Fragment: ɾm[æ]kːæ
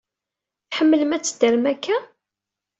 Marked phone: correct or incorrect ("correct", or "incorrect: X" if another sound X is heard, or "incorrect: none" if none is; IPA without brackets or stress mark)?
correct